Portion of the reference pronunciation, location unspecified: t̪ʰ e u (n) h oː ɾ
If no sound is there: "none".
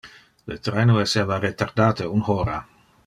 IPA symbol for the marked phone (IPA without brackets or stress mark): n